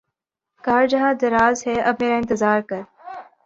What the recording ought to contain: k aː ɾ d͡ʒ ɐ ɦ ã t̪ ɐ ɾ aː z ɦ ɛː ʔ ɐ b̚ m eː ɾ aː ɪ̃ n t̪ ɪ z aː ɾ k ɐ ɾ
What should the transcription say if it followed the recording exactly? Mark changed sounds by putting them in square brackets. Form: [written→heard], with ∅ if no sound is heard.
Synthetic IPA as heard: k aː ɾ d͡ʒ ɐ ɦ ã [t̪→d̪] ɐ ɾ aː z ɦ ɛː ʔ ɐ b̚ m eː ɾ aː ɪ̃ n t̪ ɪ z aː ɾ k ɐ ɾ